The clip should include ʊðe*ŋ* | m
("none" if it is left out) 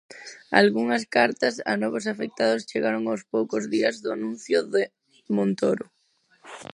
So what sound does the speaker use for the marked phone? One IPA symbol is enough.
none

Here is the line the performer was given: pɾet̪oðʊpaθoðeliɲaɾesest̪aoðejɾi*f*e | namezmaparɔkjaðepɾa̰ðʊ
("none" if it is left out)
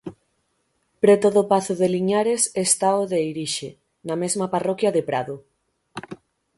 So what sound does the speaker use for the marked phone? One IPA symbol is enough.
ʃ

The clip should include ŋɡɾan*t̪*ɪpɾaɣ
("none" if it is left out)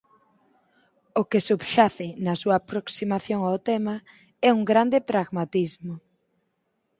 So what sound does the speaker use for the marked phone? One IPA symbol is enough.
d̪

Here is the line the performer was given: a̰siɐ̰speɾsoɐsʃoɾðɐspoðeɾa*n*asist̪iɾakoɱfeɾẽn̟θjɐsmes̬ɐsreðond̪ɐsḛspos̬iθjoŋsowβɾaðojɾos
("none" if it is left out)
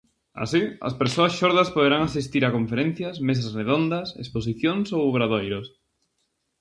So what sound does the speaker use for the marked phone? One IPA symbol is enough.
ŋ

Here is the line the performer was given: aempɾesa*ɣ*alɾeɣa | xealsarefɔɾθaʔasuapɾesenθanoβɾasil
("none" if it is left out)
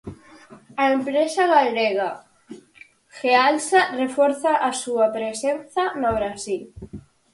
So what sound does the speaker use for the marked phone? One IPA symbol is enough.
ɣ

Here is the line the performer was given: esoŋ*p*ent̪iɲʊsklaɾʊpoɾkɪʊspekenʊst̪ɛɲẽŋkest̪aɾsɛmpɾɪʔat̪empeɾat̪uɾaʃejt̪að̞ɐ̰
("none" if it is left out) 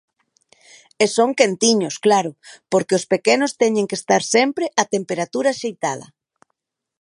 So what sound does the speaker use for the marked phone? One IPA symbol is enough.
k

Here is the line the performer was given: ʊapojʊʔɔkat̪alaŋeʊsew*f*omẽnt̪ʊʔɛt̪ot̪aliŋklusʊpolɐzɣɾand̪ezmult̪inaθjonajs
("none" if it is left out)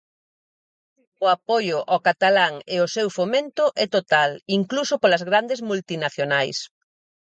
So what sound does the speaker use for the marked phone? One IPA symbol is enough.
f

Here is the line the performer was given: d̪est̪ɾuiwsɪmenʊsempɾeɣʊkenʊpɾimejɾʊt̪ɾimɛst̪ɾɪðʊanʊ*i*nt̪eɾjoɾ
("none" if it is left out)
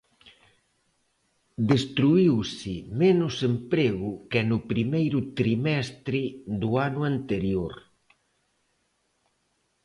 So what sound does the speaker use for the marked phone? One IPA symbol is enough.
a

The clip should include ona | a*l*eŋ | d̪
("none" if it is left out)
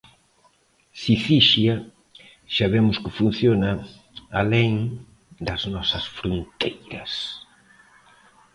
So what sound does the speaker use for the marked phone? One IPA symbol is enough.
l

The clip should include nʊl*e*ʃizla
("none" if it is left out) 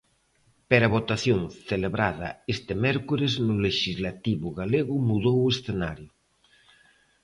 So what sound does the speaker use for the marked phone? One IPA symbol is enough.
e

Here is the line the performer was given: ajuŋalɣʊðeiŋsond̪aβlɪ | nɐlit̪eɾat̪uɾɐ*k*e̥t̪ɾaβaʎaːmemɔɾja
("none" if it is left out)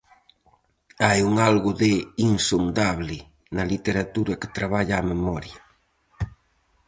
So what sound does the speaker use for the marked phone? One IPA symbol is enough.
k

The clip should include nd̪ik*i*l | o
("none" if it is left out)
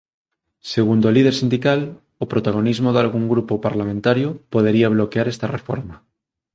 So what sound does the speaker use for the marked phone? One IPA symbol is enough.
a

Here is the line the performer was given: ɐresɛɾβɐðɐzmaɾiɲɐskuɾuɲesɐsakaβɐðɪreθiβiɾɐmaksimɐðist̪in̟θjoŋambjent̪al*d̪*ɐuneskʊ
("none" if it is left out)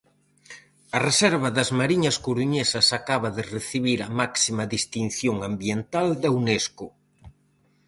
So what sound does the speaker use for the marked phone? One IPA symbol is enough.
d̪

